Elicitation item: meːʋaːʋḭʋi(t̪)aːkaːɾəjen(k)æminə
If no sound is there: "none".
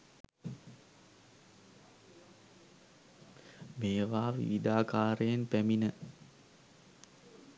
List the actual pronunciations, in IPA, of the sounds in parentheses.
d̪, p

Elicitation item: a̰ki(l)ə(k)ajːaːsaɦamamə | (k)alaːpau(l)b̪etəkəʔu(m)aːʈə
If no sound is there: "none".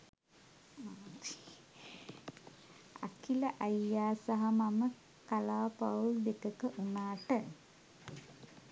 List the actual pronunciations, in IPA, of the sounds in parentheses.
l, ʔ, k, l, n

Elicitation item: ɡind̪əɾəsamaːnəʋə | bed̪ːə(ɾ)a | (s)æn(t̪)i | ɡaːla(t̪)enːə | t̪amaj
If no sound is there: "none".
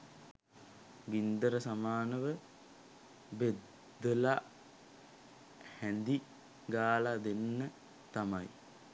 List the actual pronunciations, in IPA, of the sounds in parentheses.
l, h, d̪, d̪

